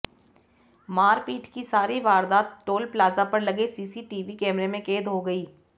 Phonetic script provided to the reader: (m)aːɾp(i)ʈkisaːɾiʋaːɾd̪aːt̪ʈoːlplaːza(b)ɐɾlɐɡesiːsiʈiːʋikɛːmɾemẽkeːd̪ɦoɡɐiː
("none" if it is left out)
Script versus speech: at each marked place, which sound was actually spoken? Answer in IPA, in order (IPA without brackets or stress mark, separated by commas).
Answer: m, iː, p